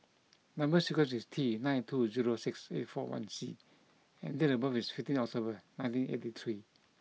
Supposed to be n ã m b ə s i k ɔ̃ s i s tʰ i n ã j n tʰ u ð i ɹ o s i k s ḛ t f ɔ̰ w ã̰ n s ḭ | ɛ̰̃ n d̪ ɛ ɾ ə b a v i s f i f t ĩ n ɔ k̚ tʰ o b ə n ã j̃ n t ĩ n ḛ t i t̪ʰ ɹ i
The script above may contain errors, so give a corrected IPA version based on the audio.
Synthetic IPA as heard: n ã m b ə s i k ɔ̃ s i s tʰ i n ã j n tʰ u z i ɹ o s i k s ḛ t f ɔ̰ w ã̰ n s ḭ | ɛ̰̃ n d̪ ɛ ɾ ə b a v i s f i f t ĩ n ɔ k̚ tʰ o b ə n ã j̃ n t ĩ n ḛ t i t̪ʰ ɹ i